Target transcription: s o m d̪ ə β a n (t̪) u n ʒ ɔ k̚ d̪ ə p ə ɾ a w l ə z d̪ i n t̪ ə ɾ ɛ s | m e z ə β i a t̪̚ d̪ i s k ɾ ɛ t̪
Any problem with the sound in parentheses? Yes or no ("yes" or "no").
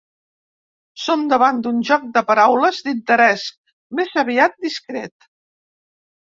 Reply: yes